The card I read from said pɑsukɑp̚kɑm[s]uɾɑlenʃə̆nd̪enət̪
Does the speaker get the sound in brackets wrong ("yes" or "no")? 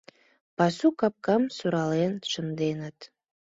no